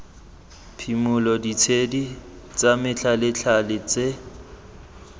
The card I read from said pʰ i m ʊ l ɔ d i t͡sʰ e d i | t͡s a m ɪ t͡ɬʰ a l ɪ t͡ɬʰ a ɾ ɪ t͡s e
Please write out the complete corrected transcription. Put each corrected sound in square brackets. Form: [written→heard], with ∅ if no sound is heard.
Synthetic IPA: pʰ i m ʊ l ɔ d i t͡sʰ e d i | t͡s a m ɪ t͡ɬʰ a l ɪ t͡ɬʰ a [ɾ→l] ɪ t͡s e